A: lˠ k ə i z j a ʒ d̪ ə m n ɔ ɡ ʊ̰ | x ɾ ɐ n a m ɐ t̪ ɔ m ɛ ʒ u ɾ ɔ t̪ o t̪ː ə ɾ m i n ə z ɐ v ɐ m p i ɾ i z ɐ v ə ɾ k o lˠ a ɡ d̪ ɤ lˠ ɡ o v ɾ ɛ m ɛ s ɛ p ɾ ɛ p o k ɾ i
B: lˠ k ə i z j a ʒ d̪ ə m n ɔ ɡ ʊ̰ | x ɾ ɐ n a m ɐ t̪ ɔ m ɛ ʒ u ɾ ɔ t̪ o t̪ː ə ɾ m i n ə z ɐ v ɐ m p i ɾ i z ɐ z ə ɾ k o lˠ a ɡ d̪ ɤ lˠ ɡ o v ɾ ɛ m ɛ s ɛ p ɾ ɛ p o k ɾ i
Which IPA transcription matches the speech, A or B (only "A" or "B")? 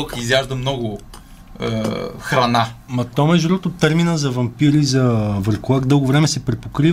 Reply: A